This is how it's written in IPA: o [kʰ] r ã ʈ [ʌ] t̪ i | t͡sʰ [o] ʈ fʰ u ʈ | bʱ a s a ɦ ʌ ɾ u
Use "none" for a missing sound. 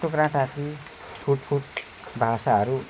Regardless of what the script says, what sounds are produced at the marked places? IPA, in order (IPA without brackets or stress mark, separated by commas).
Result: k, a, u